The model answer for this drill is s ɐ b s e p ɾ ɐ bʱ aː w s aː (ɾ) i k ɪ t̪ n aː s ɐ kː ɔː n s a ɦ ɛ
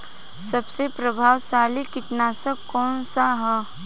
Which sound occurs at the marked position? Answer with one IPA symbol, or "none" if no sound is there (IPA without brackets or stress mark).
l